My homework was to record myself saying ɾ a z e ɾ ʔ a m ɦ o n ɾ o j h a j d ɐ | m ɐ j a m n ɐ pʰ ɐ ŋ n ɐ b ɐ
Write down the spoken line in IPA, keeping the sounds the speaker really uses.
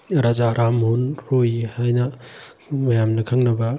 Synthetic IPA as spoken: ɾ a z a ɾ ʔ a m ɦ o n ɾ o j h a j n ɐ | m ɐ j a m n ɐ kʰ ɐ ŋ n ɐ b ɐ